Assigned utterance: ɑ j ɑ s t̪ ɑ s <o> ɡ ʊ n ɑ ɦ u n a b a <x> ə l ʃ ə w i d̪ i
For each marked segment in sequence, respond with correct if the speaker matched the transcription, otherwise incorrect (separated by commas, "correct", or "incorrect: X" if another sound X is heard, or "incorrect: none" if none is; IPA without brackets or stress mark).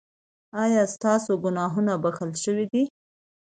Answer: correct, correct